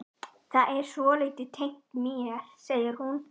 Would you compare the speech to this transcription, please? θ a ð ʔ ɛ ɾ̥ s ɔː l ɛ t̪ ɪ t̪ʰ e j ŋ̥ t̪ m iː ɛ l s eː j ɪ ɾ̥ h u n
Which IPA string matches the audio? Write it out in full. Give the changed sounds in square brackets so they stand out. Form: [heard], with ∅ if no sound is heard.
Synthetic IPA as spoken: θ a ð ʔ ɛ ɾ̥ s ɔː l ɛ t̪ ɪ t̪ʰ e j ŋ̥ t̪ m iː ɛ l s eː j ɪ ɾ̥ h u n